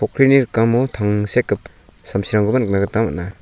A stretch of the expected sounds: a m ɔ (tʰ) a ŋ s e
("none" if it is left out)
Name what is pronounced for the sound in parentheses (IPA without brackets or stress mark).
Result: tʰ